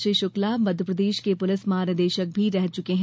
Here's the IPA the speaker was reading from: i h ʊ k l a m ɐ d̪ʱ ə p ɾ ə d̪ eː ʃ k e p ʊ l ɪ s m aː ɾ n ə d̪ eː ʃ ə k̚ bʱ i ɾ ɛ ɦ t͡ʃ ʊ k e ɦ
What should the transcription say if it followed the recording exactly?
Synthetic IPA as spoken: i ʃ ʊ k l a m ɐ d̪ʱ ə p ɾ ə d̪ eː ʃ k e p ʊ l ɪ s m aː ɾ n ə d̪ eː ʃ ə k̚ bʱ i ɾ ɛ ɦ t͡ʃ ʊ k e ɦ